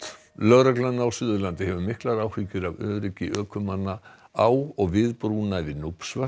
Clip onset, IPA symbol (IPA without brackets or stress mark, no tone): l